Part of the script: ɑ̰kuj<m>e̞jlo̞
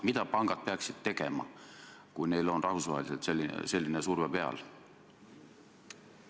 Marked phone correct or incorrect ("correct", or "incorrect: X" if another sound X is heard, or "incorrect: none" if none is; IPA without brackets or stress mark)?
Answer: incorrect: n